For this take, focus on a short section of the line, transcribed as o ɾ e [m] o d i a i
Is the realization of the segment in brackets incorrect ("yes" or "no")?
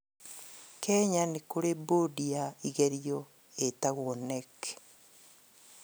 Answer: yes